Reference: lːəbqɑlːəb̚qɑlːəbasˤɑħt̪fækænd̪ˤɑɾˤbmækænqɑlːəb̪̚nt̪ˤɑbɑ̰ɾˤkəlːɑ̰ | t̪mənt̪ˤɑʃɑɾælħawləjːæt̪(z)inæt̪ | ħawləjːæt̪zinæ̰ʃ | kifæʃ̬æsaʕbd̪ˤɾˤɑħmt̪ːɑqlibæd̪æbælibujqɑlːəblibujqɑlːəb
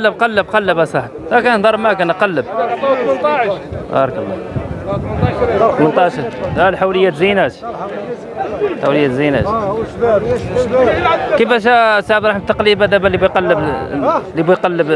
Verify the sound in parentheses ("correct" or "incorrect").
correct